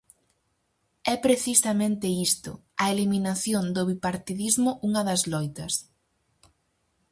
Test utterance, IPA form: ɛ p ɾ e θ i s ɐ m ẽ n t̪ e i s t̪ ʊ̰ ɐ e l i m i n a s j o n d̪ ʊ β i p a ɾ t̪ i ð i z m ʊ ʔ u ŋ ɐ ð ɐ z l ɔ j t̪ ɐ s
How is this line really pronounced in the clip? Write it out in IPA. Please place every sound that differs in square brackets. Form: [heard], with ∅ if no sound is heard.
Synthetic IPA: ɛ p ɾ e θ i s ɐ m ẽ n t̪ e i s t̪ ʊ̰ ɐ e l i m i n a [θ] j o n d̪ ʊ β i p a ɾ t̪ i ð i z m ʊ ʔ u ŋ ɐ ð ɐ z l ɔ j t̪ ɐ s

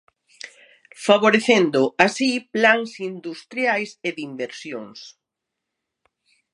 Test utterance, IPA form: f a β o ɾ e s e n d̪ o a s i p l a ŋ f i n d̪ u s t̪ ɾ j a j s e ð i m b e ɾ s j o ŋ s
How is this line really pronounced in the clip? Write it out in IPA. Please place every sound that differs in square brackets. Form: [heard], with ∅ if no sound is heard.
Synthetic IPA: f a β o ɾ e [θ] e n d̪ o a s i p l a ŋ [s] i n d̪ u s t̪ ɾ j a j s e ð i m b e ɾ s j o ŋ s

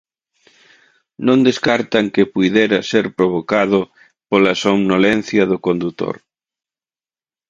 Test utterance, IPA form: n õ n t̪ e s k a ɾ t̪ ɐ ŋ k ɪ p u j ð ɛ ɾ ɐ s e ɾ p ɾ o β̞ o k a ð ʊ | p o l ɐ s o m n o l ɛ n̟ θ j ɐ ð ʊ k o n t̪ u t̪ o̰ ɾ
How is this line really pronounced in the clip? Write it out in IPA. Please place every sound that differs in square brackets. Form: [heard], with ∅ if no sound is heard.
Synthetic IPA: n õ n [d̪] e s k a ɾ t̪ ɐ ŋ k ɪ p u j ð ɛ ɾ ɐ s e ɾ p ɾ o β̞ o k a ð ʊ | p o l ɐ s o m n o l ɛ n̟ θ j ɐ ð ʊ k o n [d̪] u t̪ o̰ ɾ

